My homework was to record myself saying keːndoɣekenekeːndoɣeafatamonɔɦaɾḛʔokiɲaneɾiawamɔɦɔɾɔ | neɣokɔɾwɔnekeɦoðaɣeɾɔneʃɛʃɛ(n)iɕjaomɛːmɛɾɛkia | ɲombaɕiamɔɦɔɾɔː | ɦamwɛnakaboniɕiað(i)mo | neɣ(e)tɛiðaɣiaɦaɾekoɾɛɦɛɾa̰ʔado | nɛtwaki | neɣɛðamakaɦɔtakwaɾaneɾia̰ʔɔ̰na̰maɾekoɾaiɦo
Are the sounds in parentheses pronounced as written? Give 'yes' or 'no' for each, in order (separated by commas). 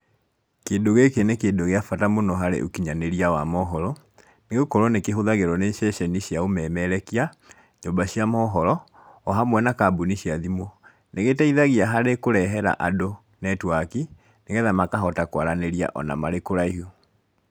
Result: yes, yes, yes